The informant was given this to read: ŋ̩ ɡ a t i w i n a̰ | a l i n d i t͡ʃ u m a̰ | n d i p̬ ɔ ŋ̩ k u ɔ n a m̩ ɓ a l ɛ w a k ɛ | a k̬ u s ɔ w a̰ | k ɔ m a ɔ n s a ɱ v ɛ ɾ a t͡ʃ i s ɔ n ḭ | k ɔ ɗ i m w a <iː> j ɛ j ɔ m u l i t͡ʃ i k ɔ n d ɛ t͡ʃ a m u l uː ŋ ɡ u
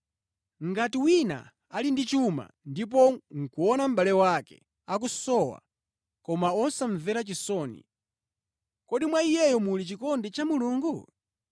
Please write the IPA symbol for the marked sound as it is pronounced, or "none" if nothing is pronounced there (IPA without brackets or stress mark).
i